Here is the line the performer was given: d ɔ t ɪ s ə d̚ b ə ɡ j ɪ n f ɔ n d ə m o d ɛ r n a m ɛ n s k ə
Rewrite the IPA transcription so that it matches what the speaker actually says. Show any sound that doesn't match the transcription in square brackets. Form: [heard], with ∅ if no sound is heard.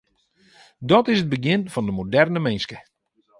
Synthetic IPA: d ɔ t ɪ s ə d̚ b ə ɡ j ɪ n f ɔ n d ə m o d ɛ r n [ə] m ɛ n s k ə